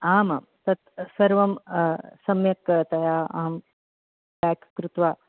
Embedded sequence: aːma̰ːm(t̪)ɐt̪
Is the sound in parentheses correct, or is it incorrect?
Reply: correct